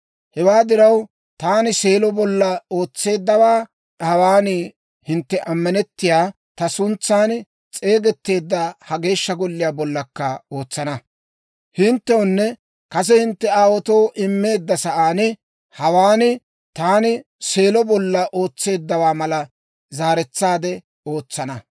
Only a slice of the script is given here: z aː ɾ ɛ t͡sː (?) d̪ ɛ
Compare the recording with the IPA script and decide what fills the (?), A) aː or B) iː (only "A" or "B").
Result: A